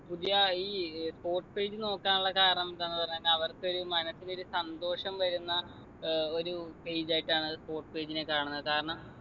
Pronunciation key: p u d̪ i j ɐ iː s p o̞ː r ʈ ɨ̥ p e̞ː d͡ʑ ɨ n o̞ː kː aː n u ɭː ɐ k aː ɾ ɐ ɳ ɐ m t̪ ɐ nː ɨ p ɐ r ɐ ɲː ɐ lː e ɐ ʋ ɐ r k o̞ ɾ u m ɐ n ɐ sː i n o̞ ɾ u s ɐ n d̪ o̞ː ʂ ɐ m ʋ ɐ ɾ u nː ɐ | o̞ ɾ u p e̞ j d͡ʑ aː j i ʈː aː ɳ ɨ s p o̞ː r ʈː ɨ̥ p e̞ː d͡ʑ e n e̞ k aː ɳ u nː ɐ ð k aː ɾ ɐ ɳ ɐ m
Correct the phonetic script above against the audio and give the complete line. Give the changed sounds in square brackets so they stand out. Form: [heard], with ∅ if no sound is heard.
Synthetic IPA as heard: p u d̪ i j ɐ iː s p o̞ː r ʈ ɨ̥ p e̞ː d͡ʑ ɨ n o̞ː kː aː n u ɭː ɐ k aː ɾ ɐ ɳ ɐ m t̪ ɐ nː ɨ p ɐ r ɐ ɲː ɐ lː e ɐ ʋ ɐ r k o̞ ɾ u m ɐ n ɐ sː i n o̞ ɾ u s ɐ n d̪ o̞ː ʂ ɐ m ʋ ɐ ɾ u nː ɐ | o̞ ɾ u p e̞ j d͡ʑ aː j i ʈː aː ɳ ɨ s p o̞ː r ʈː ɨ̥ p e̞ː d͡ʑ [i] n e̞ k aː ɳ u nː ɐ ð k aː ɾ ɐ ɳ ɐ m